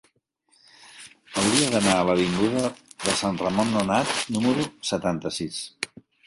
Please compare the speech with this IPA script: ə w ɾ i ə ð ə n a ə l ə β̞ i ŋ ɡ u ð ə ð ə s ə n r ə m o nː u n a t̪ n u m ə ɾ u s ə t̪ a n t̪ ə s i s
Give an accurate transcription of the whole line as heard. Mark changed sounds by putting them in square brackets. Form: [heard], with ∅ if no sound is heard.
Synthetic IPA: ə w ɾ i ə ð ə n a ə l ə β̞ i ŋ ɡ u ð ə ð ə s [a] n r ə m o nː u n a t̪ n u m ə ɾ u s ə t̪ a n t̪ ə s i s